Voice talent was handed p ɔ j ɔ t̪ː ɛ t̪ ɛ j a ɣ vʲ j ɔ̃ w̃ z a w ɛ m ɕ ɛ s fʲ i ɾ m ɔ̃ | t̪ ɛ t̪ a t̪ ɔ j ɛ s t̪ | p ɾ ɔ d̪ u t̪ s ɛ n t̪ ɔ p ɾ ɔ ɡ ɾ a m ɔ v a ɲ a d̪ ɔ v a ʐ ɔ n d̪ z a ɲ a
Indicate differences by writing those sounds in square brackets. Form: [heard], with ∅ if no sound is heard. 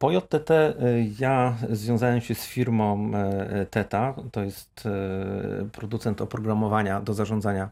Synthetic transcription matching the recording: p ɔ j ɔ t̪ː ɛ t̪ ɛ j a [z] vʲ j ɔ̃ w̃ z a w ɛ m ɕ ɛ s fʲ i ɾ m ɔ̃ | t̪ ɛ t̪ a t̪ ɔ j ɛ s t̪ | p ɾ ɔ d̪ u t̪ s ɛ n t̪ ɔ p ɾ ɔ ɡ ɾ a m ɔ v a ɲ a d̪ ɔ [z] a ʐ ɔ n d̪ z a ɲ a